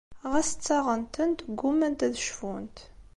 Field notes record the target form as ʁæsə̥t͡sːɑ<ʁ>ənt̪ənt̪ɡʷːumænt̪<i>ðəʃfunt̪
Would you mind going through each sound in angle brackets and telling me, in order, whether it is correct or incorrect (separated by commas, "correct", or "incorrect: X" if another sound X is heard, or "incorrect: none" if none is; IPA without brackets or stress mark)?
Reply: correct, incorrect: æ